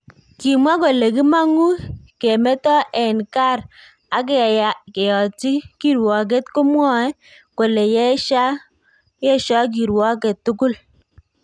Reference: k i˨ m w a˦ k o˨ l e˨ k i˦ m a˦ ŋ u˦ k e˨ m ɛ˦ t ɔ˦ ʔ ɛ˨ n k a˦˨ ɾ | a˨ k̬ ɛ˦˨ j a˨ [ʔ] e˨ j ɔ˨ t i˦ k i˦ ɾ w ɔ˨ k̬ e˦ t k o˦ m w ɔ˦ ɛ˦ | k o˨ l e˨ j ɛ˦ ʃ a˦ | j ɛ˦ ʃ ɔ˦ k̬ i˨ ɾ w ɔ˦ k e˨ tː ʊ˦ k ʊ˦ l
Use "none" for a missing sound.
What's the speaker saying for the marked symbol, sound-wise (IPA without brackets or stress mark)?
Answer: k